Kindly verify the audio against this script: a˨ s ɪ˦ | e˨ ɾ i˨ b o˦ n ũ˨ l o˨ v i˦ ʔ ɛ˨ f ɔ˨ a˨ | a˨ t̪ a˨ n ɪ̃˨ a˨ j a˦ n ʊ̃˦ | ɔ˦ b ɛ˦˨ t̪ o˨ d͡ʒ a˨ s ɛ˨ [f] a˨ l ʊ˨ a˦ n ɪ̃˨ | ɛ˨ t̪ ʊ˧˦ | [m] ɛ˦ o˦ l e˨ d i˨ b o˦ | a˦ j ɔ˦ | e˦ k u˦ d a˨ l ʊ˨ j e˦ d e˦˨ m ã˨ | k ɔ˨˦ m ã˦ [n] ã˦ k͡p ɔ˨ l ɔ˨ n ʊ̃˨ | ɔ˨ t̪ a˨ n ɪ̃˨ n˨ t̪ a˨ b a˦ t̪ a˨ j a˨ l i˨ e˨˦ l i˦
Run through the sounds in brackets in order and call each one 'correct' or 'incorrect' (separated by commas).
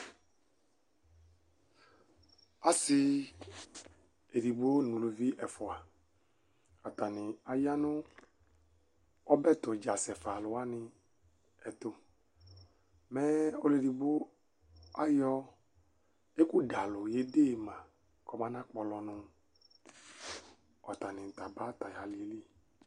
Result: correct, correct, correct